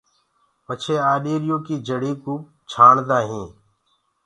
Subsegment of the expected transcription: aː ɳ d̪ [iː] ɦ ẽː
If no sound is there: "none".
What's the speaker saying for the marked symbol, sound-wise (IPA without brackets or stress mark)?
aː